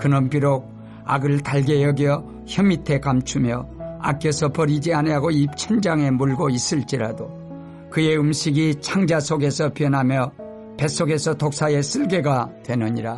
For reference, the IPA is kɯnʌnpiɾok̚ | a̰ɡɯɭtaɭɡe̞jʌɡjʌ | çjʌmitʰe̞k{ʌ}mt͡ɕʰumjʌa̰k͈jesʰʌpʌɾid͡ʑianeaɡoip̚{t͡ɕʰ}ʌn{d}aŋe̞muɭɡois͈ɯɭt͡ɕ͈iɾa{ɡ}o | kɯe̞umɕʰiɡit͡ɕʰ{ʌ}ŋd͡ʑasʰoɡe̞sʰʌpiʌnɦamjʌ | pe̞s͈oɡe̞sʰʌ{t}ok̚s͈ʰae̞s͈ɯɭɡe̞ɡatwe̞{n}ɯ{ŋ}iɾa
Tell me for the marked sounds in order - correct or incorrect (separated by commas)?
incorrect, correct, incorrect, incorrect, incorrect, correct, correct, incorrect